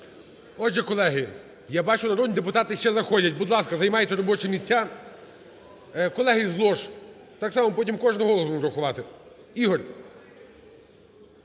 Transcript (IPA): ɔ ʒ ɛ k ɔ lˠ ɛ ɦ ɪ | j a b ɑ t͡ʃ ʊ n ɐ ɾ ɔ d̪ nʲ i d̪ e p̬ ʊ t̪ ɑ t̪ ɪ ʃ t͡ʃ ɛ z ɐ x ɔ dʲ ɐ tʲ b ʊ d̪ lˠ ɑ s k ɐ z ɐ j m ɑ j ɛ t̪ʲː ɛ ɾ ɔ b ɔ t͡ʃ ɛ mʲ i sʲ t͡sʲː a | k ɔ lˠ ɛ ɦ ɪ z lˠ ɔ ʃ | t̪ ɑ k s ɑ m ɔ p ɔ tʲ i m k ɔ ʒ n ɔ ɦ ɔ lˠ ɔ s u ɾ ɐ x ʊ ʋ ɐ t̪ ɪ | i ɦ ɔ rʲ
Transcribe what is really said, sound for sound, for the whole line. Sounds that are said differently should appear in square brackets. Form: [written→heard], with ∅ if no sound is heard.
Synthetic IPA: ɔ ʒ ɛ k ɔ lˠ ɛ ɦ ɪ | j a b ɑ t͡ʃ ʊ n ɐ ɾ ɔ d̪ nʲ i d̪ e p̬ ʊ t̪ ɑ t̪ ɪ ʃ t͡ʃ ɛ z ɐ x ɔ dʲ ɐ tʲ b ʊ d̪ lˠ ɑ s k ɐ z ɐ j m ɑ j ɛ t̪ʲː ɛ ɾ ɔ b ɔ t͡ʃ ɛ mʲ i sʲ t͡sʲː a | k ɔ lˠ ɛ ɦ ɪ z lˠ ɔ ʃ | t̪ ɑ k s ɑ m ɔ p ɔ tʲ i m k ɔ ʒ n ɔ ɦ ɔ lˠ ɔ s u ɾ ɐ x ʊ ʋ [ɐ→ɑ] t̪ ɪ | i ɦ ɔ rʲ